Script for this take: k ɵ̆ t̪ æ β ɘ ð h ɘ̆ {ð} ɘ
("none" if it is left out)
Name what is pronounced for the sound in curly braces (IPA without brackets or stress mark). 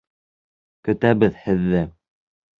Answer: ðː